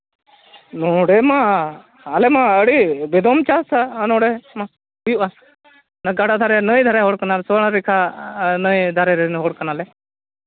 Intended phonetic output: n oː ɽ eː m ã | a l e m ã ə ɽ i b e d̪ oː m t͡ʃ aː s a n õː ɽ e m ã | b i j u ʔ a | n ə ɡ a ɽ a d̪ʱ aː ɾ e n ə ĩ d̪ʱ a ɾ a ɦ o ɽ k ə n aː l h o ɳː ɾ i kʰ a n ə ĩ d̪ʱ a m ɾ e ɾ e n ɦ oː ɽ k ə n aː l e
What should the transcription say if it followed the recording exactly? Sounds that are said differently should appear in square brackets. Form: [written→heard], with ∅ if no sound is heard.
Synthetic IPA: n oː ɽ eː m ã | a l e m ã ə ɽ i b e d̪ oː m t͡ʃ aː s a n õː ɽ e m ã | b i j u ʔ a | n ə ɡ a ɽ a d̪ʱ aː ɾ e n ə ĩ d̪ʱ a ɾ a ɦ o ɽ k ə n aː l [h→s] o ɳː ɾ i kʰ a n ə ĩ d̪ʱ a [m→∅] ɾ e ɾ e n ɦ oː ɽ k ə n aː l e